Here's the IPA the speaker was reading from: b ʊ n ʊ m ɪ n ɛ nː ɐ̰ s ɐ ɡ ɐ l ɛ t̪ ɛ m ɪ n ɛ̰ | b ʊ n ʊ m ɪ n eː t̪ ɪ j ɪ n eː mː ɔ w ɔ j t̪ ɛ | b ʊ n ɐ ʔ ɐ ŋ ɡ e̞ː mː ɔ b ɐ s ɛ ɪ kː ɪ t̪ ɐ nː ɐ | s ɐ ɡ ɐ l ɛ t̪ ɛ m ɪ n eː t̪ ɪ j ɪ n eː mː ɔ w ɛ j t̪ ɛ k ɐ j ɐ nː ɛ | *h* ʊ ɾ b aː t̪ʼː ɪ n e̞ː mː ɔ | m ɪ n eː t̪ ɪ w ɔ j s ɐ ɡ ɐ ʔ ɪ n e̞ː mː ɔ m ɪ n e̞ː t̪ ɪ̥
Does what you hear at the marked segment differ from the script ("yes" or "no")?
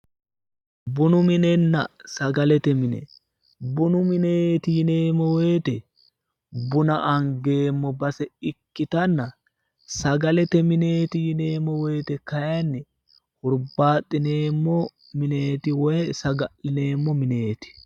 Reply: no